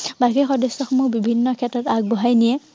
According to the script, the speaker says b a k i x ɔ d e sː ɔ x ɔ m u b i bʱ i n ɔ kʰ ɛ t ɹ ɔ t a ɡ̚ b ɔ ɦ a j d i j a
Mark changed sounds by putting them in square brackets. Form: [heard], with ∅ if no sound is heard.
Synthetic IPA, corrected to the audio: b a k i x ɔ d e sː ɔ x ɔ m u b i bʱ i [nː] ɔ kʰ ɛ t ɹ ɔ t a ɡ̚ b ɔ ɦ a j [n] i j [ɛ]